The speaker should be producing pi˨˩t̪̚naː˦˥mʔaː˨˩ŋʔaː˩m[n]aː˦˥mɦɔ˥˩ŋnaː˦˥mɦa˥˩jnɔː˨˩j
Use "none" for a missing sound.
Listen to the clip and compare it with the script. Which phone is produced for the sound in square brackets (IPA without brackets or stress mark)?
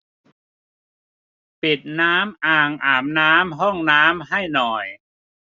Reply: n